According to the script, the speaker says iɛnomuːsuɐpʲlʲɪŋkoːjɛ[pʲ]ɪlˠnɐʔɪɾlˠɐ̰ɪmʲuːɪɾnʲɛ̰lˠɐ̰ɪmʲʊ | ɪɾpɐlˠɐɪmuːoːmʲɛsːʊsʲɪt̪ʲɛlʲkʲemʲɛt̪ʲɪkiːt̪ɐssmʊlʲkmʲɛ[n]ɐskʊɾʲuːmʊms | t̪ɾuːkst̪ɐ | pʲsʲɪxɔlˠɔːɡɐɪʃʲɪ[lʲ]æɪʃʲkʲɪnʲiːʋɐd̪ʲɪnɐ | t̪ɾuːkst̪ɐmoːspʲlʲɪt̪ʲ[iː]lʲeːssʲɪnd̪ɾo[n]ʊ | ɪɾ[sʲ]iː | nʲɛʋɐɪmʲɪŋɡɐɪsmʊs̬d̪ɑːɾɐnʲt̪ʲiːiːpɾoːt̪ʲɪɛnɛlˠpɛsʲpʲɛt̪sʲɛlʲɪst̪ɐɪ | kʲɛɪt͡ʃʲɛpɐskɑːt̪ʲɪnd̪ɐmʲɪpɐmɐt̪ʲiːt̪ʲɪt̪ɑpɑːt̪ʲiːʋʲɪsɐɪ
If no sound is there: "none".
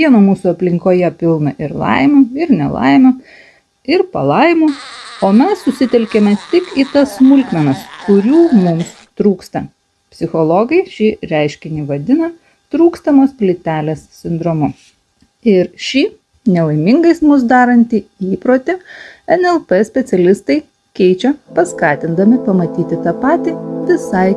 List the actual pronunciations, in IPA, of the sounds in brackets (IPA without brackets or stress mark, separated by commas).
pʲ, n, ɾʲ, æː, m, ʃʲ